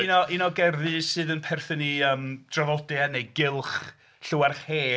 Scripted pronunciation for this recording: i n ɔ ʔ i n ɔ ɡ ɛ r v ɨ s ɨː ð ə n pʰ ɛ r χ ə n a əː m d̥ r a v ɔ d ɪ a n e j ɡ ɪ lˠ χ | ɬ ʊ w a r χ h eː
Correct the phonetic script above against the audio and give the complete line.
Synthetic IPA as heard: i n ɔ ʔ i n ɔ ɡ ɛ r ð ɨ s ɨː ð ə n pʰ ɛ r θ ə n i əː m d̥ r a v ɔ d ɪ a n e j ɡ ɪ lˠ χ | ɬ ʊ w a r χ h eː